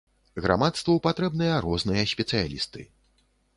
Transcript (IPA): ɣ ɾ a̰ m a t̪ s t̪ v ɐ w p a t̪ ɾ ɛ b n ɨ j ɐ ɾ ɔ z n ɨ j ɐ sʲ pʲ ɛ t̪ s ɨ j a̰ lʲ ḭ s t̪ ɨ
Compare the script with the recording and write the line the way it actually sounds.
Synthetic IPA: ɣ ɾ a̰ m a t̪ s t̪ v ɐ w p a t̪ ɾ ɛ b n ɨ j ɐ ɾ ɔ z n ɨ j ɐ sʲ pʲ ɛ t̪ s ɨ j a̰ lʲ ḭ s t̪ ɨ